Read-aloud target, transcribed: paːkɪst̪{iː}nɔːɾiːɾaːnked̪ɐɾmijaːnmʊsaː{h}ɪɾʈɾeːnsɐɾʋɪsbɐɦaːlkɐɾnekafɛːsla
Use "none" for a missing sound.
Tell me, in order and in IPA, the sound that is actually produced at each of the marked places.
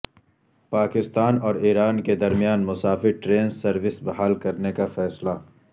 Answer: aː, f

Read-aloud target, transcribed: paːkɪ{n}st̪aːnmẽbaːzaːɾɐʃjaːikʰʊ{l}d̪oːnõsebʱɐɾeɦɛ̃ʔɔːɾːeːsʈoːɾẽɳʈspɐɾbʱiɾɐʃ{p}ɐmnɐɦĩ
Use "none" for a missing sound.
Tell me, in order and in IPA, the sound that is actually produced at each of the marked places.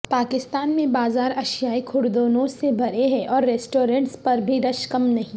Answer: none, ɽ, k

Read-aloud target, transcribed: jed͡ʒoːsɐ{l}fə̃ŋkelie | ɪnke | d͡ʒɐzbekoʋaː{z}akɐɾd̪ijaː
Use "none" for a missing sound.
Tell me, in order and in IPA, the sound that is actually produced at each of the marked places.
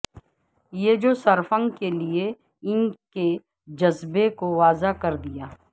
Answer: ɾ, z

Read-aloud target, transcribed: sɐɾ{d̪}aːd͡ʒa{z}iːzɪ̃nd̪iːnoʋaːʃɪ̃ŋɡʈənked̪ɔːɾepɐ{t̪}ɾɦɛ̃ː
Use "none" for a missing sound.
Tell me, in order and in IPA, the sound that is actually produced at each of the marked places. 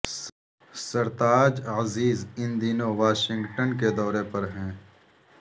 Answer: t̪, z, none

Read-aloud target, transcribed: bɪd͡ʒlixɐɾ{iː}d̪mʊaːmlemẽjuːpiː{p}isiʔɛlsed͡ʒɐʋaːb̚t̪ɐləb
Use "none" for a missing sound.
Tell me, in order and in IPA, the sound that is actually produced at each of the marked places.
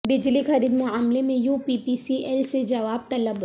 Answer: iː, p

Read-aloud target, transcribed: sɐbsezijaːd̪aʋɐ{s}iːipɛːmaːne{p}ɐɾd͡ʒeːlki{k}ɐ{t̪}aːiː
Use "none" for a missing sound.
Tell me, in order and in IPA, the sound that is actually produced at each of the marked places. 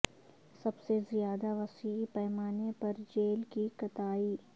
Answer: s, p, k, t̪

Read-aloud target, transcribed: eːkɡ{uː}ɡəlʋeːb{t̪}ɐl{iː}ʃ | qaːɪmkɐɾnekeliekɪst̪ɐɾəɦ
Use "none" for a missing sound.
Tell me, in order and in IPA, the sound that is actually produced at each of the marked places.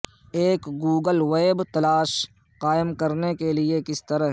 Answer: uː, t̪, aː

